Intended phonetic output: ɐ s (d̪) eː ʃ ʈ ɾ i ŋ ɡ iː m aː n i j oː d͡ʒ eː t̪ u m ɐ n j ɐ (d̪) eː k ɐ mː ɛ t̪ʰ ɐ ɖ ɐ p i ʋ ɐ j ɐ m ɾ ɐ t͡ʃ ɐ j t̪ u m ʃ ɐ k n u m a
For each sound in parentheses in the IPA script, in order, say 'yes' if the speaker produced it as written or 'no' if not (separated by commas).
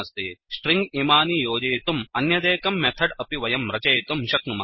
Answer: no, yes